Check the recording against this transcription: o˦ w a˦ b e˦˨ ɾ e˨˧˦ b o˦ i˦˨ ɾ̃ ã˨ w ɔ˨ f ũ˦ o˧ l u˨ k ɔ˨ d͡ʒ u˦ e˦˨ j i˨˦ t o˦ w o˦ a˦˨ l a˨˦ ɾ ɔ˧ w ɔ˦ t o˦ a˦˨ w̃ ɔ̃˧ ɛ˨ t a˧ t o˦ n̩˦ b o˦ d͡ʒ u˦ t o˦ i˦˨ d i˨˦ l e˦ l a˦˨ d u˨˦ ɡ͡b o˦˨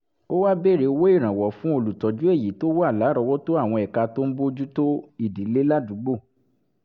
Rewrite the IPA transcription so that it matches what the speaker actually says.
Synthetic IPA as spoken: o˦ w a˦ b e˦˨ ɾ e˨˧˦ w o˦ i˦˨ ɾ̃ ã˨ w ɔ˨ f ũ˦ o˧ l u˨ t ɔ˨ d͡ʒ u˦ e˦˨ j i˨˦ t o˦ w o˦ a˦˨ l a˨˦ ɾ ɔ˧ w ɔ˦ t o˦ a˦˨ w̃ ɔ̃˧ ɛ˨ k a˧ t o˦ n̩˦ b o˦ d͡ʒ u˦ t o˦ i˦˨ d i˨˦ l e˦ l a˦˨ d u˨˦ ɡ͡b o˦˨